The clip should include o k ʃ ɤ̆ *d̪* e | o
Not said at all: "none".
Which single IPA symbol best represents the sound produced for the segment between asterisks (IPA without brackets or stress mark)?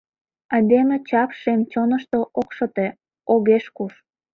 t̪